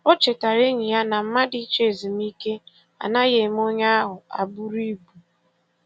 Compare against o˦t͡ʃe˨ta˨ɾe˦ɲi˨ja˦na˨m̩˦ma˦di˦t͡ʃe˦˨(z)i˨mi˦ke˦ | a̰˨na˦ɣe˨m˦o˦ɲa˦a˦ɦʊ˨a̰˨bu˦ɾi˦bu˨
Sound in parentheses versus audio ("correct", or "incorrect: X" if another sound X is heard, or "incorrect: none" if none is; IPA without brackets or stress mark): correct